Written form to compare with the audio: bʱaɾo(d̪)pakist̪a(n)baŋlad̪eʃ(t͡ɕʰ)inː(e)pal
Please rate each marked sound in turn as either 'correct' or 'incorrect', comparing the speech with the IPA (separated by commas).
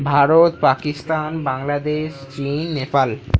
incorrect, correct, incorrect, correct